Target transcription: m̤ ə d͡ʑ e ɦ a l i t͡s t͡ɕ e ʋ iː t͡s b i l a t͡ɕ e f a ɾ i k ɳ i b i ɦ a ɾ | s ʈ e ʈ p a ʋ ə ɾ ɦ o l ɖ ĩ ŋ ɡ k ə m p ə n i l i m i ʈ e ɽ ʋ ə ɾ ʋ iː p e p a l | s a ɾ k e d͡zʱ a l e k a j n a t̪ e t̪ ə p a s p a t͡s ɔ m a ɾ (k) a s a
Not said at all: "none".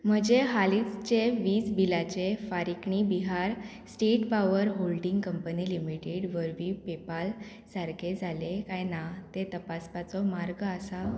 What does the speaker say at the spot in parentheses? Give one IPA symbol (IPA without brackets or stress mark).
ɡ